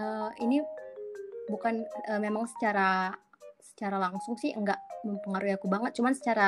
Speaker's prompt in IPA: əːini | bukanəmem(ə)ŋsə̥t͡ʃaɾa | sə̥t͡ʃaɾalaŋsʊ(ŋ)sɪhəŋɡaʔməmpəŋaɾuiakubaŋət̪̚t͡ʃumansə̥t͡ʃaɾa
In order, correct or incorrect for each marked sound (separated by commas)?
incorrect, correct